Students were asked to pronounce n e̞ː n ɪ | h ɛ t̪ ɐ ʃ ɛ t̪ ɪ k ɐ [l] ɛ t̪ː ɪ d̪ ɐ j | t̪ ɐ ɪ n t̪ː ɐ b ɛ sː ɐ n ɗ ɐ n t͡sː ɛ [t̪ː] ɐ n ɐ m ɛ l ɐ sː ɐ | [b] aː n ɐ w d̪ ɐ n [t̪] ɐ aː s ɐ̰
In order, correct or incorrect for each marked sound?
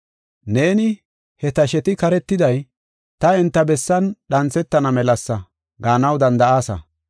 incorrect: ɾ, correct, incorrect: ɡ, incorrect: d̪

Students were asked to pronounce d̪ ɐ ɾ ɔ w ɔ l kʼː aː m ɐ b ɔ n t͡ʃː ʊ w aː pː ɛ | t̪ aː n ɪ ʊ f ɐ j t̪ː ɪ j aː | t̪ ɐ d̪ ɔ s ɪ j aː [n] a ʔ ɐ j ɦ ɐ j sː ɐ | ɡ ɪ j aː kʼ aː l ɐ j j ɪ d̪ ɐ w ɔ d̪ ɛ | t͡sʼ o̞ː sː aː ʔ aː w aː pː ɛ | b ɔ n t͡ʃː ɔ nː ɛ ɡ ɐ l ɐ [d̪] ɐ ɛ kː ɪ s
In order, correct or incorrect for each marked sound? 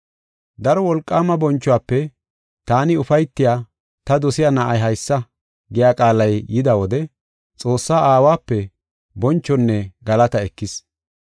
correct, incorrect: t̪

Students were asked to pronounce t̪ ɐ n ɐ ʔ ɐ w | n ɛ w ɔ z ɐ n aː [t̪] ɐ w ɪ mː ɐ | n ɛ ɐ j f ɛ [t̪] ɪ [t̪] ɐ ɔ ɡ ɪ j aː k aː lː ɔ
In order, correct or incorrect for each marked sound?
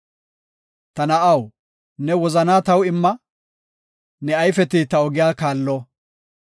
correct, correct, correct

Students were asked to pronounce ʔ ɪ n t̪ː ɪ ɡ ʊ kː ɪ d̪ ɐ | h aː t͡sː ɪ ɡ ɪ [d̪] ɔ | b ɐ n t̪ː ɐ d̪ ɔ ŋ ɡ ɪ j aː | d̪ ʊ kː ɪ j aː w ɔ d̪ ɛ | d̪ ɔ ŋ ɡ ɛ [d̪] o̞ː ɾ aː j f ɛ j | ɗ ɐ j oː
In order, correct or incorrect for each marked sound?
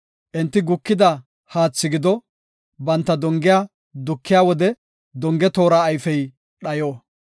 correct, incorrect: t̪

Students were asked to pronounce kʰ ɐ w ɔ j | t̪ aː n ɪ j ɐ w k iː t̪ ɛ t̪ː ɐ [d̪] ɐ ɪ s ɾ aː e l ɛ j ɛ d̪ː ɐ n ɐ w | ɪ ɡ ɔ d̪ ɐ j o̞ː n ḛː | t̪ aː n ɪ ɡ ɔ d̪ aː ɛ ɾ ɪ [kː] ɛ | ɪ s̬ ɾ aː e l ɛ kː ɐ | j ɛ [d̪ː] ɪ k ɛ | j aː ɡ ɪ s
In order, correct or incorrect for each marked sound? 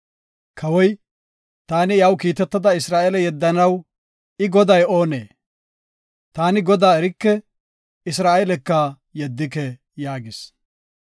correct, correct, correct

